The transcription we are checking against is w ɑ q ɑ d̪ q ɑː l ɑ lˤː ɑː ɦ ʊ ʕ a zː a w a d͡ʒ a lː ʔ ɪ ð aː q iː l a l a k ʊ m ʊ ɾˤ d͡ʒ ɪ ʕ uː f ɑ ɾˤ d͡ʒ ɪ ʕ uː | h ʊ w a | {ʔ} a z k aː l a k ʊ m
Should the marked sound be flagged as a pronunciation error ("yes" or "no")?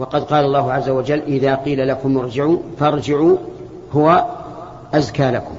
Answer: no